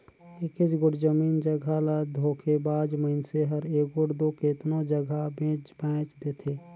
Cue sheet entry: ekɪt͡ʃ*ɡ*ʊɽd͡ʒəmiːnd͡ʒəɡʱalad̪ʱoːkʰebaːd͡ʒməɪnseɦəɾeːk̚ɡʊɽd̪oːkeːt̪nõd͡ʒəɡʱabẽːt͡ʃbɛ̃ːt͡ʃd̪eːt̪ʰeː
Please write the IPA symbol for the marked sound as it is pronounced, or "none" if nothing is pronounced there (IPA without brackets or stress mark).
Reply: ɡ